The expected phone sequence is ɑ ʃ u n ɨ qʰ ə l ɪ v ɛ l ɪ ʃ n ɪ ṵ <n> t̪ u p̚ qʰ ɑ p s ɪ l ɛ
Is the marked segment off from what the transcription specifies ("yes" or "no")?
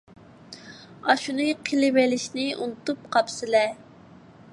no